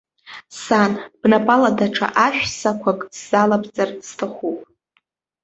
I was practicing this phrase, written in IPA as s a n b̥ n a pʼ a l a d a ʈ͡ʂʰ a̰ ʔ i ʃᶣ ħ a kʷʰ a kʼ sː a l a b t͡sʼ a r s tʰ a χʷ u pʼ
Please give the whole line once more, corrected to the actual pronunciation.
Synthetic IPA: s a n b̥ n a pʼ a l a d a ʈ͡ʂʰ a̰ ʔ a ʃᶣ s a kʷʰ a kʼ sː a l a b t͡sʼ a r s tʰ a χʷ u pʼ